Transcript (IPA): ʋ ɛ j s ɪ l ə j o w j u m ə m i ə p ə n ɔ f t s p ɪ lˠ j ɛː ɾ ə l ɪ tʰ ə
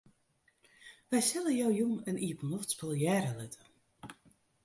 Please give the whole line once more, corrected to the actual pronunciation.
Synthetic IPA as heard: ʋ ɛ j s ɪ l ə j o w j u m ə n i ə p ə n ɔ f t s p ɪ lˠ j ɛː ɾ ə l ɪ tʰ ə